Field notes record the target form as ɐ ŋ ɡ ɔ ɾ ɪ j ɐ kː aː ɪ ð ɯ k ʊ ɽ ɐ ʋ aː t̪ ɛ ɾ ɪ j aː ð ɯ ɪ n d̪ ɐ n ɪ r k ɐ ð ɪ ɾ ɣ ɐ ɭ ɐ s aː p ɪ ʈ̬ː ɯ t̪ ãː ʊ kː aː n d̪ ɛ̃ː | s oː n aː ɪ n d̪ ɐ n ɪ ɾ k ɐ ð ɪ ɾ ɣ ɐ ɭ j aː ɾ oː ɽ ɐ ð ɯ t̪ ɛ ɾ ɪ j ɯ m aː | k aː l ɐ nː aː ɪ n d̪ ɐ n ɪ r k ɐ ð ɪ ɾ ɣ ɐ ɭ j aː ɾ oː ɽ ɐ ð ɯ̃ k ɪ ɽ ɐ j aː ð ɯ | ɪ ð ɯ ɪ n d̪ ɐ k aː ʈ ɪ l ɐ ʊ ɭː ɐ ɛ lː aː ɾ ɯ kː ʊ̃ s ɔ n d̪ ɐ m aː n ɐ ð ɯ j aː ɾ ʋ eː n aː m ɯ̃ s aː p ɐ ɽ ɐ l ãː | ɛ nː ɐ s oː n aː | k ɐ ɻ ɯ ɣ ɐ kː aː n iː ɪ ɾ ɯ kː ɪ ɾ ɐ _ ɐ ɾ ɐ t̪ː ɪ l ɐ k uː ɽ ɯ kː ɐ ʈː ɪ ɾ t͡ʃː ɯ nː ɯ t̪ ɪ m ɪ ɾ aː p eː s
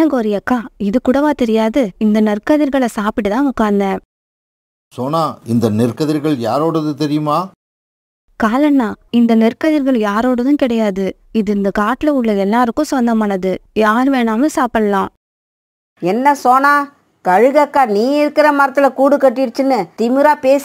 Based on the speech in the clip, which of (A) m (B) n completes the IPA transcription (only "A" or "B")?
A